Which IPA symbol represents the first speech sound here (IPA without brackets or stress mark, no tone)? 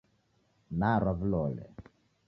n